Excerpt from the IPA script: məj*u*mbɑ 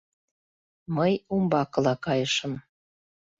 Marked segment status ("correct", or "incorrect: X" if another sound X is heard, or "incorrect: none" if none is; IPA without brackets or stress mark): correct